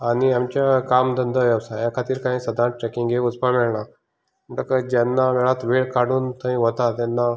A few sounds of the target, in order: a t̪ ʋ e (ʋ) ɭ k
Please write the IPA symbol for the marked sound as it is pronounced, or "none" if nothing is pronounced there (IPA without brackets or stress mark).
none